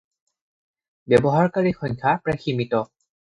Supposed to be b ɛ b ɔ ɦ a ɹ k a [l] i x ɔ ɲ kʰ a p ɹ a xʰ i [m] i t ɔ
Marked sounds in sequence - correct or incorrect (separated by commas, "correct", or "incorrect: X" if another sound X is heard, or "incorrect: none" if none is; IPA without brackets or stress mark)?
incorrect: ɹ, correct